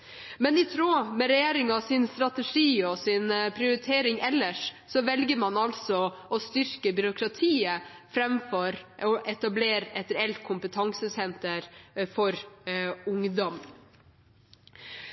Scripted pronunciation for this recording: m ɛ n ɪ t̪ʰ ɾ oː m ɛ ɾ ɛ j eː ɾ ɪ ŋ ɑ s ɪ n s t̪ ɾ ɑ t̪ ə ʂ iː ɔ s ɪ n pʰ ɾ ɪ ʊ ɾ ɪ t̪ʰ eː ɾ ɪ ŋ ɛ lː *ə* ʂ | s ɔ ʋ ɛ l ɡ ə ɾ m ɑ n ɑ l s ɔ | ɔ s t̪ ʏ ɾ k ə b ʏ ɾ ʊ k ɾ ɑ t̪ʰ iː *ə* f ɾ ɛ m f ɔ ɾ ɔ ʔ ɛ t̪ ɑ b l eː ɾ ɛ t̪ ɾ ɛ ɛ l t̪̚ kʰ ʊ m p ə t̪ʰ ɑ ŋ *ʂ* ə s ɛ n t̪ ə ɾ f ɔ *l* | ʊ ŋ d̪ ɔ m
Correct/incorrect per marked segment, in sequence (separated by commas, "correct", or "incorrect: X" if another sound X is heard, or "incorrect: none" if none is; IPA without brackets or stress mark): correct, correct, incorrect: s, incorrect: ɾ